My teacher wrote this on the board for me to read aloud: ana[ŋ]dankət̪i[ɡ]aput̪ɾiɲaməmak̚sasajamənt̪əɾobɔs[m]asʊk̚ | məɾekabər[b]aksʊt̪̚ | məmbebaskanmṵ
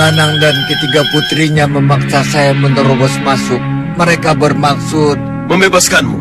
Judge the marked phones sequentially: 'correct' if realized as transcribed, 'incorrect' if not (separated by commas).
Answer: correct, correct, correct, incorrect